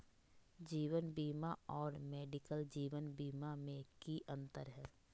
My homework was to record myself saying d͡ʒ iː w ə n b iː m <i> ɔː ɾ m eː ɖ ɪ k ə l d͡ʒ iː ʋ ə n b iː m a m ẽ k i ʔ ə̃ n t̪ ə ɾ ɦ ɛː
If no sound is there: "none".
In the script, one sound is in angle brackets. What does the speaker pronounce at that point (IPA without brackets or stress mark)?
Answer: a